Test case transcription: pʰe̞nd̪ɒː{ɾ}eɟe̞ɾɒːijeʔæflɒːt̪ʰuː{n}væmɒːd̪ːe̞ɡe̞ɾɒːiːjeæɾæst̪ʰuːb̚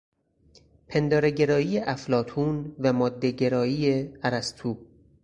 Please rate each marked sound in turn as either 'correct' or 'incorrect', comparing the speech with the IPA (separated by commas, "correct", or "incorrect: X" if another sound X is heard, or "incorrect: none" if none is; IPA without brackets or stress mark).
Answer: correct, correct